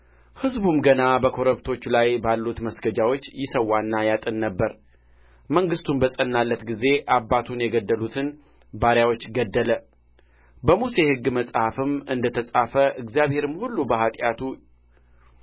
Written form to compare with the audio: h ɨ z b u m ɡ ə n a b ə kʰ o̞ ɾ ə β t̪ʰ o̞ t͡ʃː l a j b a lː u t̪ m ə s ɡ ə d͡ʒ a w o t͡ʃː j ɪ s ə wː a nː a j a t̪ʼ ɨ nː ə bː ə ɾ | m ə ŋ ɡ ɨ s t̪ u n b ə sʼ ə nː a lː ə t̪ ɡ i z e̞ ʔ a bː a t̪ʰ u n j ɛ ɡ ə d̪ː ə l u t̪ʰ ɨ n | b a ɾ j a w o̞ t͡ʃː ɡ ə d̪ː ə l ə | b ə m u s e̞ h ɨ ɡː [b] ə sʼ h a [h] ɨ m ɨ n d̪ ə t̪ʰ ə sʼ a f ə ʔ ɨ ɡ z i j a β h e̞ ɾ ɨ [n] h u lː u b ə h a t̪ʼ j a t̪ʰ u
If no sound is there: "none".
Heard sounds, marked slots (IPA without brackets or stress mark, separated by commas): m, f, m